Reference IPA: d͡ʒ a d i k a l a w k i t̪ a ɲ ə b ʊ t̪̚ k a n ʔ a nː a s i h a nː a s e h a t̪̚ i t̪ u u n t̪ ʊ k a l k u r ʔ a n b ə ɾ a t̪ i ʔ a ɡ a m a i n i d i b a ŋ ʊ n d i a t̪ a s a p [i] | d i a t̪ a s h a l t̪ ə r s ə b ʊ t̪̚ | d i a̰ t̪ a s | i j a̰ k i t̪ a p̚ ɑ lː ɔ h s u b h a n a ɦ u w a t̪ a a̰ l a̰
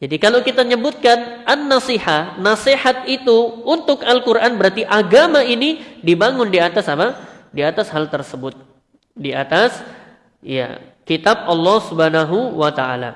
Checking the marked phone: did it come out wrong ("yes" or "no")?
yes